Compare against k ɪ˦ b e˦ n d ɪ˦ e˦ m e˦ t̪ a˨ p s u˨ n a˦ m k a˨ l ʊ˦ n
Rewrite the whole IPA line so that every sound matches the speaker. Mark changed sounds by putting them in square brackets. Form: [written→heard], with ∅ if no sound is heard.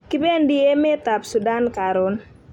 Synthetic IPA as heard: k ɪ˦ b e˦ n d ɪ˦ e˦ m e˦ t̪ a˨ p s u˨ [n→d] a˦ [m→n] k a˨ [l→ɾ] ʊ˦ n